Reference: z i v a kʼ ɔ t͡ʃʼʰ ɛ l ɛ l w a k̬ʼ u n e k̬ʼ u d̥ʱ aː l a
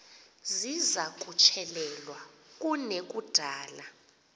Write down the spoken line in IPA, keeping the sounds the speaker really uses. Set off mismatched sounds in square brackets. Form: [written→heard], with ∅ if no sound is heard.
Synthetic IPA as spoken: z i [v→z] a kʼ [ɔ→u] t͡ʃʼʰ ɛ l ɛ l w a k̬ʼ u n e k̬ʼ u d̥ʱ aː l a